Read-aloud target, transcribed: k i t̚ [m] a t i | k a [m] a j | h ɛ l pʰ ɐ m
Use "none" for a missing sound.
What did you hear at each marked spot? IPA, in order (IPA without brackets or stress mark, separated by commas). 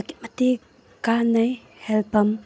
m, n